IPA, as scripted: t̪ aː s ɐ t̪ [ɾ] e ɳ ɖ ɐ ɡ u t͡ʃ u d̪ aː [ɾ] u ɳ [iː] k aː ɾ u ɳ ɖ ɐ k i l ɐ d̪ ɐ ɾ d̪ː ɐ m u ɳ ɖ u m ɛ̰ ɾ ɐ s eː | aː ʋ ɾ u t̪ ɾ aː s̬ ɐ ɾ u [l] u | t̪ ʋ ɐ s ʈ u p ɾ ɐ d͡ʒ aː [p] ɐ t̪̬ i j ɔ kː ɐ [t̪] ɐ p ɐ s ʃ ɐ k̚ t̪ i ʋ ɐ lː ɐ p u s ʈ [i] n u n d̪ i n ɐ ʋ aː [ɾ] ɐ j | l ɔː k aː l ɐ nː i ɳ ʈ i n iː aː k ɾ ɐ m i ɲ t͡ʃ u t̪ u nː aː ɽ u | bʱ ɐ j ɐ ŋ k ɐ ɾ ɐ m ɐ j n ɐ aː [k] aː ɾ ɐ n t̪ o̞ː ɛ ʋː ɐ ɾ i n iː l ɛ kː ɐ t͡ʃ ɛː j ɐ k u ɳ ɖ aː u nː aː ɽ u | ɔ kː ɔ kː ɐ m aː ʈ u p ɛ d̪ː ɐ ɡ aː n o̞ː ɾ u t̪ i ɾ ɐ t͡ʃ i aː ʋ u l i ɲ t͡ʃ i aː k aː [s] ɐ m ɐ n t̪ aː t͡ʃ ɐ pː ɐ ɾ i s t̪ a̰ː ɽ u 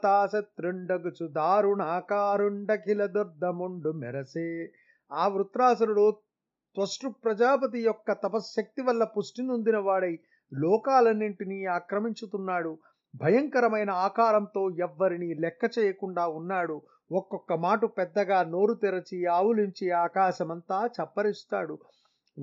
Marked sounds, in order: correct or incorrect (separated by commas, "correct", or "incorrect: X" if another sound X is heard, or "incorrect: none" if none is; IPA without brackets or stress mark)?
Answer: correct, correct, incorrect: aː, incorrect: ɽ, correct, correct, correct, incorrect: ɽ, correct, incorrect: ʃ